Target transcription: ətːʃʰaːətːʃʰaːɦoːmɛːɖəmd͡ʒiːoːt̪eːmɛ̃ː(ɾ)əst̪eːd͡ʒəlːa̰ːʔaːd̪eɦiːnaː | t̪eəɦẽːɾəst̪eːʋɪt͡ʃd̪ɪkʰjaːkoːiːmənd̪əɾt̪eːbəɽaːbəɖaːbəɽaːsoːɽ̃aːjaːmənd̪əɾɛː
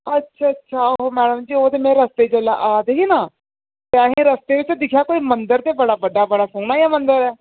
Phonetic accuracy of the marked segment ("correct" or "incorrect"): correct